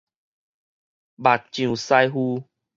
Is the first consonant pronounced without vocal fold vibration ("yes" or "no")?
no